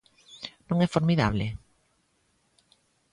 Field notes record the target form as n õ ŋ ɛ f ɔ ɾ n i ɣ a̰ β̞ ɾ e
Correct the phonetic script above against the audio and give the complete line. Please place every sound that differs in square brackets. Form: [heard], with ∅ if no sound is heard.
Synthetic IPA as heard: n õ ŋ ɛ f [o] ɾ [m] i [ð] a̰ β̞ [l] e

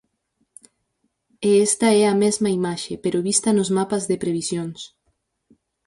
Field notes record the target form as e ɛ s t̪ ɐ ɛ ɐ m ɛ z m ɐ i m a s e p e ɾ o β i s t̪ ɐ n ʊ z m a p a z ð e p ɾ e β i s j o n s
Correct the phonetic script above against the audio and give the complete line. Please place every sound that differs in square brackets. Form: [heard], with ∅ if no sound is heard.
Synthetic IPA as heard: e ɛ s t̪ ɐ ɛ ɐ m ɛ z m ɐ i m a [ʃ] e p e ɾ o β i s t̪ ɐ n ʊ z m a p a z ð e p ɾ e β i s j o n s

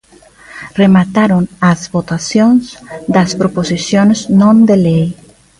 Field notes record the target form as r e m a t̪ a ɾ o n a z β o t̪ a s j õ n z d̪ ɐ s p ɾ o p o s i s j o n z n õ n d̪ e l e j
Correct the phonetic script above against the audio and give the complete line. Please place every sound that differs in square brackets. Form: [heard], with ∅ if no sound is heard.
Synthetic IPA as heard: r e m a t̪ a ɾ o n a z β o t̪ a s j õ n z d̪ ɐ s p ɾ o p o s i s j o n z n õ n d̪ e l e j

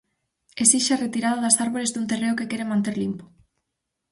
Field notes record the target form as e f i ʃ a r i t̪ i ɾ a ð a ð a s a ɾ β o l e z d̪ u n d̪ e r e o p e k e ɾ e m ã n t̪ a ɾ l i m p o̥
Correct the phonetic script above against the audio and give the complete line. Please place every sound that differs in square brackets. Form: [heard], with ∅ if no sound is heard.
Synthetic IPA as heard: e [s] i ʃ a r [e] t̪ i ɾ a ð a ð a s a ɾ β o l e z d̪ u n [t̪] e r e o [k] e k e ɾ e m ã n t̪ [e] ɾ l i m p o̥

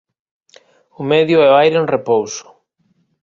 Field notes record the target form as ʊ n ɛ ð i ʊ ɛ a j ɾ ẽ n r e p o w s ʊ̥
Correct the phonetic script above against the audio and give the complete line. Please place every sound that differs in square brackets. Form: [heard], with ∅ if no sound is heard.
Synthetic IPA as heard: ʊ [m] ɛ ð [j] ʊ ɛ a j ɾ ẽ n r e p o w s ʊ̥

